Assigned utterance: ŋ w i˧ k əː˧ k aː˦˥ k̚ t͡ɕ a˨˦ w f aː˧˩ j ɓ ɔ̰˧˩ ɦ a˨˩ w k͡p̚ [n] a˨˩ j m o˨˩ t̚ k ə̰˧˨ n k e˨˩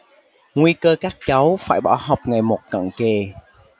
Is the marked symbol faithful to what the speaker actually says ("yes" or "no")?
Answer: no